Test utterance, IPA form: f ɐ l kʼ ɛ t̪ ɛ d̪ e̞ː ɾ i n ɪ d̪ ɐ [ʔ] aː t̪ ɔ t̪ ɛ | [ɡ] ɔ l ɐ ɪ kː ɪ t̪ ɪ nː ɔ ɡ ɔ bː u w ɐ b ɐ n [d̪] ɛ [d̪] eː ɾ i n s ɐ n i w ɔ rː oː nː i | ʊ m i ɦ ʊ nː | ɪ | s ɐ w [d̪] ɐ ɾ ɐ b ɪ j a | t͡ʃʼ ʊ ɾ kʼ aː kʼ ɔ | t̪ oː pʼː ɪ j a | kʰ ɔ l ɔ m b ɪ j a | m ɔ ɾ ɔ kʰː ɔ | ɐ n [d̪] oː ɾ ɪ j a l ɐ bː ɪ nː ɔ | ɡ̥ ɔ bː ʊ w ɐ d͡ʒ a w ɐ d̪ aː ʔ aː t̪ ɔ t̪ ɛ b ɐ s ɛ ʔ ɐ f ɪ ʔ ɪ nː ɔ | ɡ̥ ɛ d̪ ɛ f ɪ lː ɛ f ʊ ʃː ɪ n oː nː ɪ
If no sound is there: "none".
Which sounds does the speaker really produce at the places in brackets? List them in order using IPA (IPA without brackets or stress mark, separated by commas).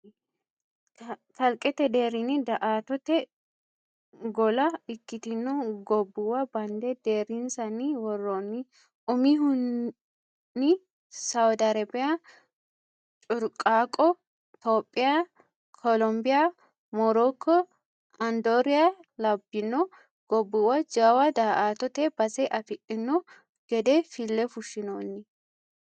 ʔ, ɡ, d̪, d̪, d̪, d̪